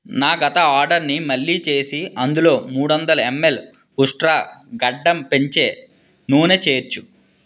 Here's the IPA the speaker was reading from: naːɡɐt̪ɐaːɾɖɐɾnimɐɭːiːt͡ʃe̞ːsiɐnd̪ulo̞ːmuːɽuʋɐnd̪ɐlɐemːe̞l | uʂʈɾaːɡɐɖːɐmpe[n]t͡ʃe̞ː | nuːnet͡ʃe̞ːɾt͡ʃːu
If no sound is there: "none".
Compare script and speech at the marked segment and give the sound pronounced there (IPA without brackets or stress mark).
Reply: ɲ